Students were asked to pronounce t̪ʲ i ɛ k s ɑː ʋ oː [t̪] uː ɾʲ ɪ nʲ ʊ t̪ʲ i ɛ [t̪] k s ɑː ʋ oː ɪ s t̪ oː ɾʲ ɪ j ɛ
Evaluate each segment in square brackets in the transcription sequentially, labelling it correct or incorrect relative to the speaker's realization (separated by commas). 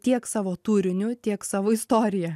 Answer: correct, incorrect